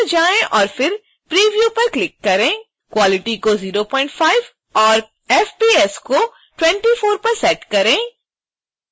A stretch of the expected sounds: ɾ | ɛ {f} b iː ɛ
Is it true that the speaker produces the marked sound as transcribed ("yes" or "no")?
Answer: yes